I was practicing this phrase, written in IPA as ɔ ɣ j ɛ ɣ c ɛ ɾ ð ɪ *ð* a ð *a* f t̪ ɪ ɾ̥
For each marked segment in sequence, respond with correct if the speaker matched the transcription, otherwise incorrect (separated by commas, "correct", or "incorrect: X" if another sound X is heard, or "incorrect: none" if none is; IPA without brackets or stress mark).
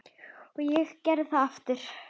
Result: incorrect: θ, correct